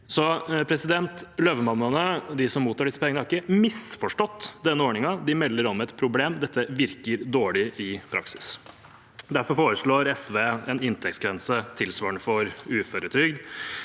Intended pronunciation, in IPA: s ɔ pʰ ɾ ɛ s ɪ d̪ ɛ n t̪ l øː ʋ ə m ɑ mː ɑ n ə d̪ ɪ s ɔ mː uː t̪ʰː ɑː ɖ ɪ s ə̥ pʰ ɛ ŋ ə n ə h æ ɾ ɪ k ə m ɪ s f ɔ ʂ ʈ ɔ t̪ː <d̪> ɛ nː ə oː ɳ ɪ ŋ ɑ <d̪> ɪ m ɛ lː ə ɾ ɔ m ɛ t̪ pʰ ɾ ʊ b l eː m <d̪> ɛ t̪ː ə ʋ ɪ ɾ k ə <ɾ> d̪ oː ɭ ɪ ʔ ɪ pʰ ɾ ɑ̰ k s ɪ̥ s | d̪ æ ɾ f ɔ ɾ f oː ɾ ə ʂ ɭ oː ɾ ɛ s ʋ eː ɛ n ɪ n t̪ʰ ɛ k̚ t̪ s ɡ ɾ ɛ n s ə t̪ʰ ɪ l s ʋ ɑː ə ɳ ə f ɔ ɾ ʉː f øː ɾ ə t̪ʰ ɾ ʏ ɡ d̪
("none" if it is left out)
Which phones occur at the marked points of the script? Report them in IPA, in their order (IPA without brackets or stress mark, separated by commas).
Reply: d̪, d̪, d̪, ɾ